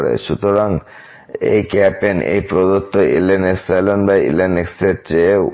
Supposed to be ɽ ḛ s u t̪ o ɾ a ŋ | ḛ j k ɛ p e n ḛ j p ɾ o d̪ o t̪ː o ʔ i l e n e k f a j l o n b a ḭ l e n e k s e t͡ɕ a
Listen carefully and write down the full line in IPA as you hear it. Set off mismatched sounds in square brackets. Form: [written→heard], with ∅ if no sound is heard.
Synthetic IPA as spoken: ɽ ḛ [s→ʃ] u t̪ o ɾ a ŋ | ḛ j k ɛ p e n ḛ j p ɾ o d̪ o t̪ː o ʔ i l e n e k [f→s] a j l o n b a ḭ l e n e k s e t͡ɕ [a→e]